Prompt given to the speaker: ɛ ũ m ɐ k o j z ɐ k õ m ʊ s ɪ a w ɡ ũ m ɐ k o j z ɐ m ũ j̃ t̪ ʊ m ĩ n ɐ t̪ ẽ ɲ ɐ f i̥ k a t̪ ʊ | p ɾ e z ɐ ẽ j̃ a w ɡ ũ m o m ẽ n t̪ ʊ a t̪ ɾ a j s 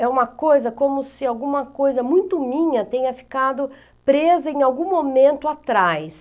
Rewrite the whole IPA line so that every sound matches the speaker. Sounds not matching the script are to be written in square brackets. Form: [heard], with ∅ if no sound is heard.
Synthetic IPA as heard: ɛ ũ m ɐ k o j z ɐ k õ m ʊ s ɪ a w ɡ ũ m ɐ k o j z ɐ m ũ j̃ t̪ ʊ m ĩ [ɲ] ɐ t̪ ẽ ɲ ɐ f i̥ k a [d̪] ʊ | p ɾ e z ɐ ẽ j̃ a w ɡ ũ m o m ẽ n t̪ ʊ a t̪ ɾ a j s